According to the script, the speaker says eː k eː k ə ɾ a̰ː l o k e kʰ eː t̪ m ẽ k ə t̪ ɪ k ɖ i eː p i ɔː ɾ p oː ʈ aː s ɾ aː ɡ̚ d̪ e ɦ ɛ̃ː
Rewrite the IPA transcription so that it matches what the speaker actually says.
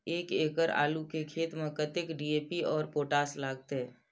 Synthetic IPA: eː k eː k ə ɾ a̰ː l u k e kʰ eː t̪ m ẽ k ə t̪ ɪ k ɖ i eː p i ɔː ɾ p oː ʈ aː s l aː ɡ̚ t̪ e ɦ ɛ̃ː